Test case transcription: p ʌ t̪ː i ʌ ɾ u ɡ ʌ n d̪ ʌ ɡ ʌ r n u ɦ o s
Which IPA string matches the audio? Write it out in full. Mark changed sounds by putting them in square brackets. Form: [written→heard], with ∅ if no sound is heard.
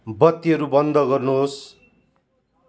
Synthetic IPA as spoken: [p→b] ʌ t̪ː i ʌ ɾ u [ɡ→b] ʌ n d̪ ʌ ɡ ʌ r n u ɦ o s

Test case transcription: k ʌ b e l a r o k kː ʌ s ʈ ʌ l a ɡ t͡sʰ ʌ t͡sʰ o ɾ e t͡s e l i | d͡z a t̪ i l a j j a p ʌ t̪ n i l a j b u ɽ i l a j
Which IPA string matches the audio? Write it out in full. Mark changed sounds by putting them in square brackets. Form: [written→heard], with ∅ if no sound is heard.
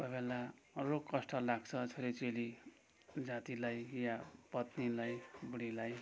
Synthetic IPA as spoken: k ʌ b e l a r o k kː ʌ s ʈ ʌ l a ɡ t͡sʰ ʌ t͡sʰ o ɾ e t͡s e l i | d͡z a t̪ i l a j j a p ʌ t̪ n i l a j b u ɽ i l a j

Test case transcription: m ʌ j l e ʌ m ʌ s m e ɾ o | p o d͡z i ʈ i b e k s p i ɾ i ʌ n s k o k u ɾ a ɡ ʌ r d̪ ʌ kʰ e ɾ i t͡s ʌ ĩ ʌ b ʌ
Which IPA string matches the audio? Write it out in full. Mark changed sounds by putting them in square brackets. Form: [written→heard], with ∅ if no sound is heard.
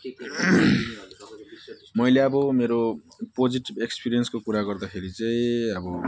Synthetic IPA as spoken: m ʌ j l e ʌ [m→b] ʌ [s→∅] m e ɾ o | p o d͡z i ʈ i b e k s p i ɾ i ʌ n s k o k u ɾ a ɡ ʌ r d̪ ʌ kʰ e ɾ i t͡s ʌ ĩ ʌ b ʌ

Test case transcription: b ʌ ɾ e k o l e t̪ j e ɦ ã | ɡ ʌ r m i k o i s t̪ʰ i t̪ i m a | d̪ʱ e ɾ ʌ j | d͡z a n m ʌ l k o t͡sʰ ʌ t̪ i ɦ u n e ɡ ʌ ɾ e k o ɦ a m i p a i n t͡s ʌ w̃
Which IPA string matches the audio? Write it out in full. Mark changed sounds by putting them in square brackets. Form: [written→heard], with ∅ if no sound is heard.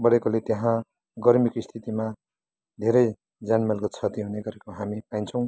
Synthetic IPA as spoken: b ʌ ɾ e k o l e t̪ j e ɦ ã | ɡ ʌ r m i k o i s t̪ʰ i t̪ i m a | d̪ʱ e ɾ ʌ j | d͡z a n m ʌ l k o t͡sʰ ʌ t̪ i ɦ u n e ɡ ʌ ɾ e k o ɦ a m i p a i n [t͡s→t͡sʰ] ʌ w̃

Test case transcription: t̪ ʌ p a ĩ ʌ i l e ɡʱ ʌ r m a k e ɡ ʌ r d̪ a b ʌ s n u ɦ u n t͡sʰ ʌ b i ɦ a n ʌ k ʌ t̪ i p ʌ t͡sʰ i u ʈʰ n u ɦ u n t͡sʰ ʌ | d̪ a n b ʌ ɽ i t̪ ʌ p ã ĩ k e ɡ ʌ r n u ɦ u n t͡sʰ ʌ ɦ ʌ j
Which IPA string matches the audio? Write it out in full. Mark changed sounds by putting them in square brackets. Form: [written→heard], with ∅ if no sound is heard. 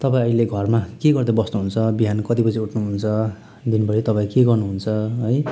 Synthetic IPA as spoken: t̪ ʌ p a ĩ ʌ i l e ɡʱ ʌ r m a k e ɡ ʌ r d̪ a b ʌ s n u ɦ u n t͡sʰ ʌ b i ɦ a n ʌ k ʌ t̪ i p ʌ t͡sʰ i u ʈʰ n u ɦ u n t͡sʰ ʌ | d̪ [a→i] n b ʌ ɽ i t̪ ʌ p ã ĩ k e ɡ ʌ r n u ɦ u n t͡sʰ ʌ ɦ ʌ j

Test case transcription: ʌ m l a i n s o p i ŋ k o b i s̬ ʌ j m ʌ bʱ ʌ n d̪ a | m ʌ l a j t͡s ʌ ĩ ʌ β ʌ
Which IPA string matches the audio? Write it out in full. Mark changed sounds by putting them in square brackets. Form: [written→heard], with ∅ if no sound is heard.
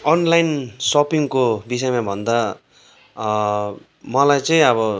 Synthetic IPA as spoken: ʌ [m→n] l a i n s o p i ŋ k o b i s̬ ʌ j m [ʌ→a] bʱ ʌ n d̪ a | m ʌ l a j t͡s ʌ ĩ ʌ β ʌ

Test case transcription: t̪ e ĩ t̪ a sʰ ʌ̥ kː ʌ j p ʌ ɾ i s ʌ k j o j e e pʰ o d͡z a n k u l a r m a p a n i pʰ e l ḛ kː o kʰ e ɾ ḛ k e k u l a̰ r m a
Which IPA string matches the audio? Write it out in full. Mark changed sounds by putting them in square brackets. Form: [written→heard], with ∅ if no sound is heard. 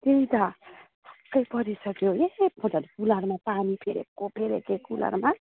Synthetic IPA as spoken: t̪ e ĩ t̪ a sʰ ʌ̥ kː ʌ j p ʌ ɾ i s ʌ k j o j e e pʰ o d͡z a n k u l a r m a p a n i pʰ e [l→ɾ] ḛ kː o [kʰ→pʰ] e ɾ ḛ k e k u l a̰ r m a

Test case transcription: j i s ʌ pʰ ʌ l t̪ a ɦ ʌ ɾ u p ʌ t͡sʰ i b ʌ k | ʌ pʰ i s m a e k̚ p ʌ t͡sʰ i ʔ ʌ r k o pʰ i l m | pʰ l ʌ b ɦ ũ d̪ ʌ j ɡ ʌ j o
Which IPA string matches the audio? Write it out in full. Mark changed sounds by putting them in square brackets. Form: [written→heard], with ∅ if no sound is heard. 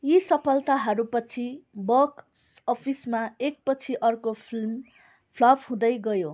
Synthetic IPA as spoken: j i s ʌ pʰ ʌ l t̪ a ɦ ʌ ɾ u p ʌ t͡sʰ i b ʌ k | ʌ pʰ i s m a e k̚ p ʌ t͡sʰ i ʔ ʌ r k o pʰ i l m | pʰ l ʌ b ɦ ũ d̪ ʌ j ɡ ʌ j o

